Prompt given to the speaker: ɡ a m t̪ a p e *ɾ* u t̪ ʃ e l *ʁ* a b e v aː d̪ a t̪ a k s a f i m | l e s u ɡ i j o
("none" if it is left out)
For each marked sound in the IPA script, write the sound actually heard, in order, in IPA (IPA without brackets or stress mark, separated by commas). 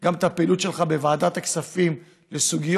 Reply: l, χ